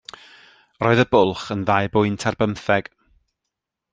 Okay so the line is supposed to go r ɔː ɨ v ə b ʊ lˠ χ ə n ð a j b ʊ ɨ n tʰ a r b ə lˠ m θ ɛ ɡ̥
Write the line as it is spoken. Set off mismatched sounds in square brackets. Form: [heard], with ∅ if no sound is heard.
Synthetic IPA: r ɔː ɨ [ð] ə b ʊ lˠ χ ə n ð a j b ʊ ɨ n tʰ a r b ə [∅] m θ ɛ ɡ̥